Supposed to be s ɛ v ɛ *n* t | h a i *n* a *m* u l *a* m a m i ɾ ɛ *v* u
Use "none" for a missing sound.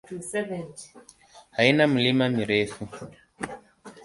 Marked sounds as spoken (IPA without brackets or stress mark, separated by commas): n, n, m, i, f